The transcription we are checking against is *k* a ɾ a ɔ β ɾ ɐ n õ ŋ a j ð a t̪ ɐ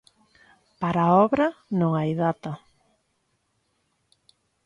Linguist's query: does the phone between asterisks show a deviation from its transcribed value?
yes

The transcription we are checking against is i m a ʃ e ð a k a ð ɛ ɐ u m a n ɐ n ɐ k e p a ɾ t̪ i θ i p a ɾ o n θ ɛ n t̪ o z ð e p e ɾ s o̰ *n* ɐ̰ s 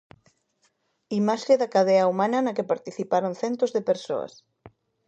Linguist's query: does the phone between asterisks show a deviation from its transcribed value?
yes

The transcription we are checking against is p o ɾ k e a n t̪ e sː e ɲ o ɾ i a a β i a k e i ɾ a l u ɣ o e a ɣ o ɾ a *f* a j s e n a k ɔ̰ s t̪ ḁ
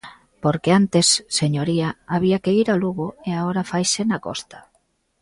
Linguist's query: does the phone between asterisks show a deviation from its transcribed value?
no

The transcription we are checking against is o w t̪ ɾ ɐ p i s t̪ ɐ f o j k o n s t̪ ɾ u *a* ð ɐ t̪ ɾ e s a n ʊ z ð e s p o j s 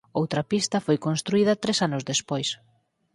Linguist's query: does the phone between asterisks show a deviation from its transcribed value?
yes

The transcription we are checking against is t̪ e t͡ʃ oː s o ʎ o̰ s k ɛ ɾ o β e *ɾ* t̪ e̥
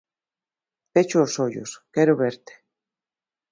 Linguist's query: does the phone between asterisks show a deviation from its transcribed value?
no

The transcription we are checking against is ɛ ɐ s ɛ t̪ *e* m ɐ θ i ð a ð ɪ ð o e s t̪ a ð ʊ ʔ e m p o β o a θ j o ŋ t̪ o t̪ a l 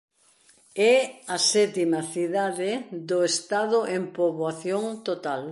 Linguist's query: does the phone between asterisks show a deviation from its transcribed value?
yes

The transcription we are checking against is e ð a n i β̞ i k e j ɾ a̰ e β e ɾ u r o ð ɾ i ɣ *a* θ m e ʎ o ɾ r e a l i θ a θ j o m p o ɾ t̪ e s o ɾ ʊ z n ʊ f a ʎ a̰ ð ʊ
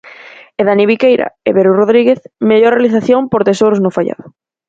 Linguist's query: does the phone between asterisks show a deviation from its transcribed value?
yes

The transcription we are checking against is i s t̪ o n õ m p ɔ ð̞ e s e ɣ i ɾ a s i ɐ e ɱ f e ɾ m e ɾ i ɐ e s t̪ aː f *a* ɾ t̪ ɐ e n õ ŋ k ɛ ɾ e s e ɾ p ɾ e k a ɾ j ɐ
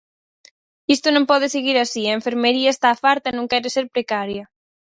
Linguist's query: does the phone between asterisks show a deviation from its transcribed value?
no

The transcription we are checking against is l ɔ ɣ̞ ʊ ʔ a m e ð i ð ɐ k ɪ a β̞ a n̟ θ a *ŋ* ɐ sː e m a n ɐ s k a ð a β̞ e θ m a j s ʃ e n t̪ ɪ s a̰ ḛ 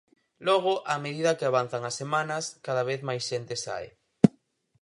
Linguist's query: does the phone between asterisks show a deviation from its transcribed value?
no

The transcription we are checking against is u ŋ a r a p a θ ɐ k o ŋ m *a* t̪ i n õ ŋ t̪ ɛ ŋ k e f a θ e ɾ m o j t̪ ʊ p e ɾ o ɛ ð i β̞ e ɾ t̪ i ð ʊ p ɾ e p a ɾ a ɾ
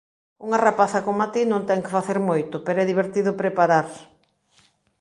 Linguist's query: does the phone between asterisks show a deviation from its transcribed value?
no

